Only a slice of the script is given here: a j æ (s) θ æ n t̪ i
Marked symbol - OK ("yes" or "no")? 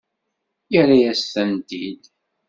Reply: yes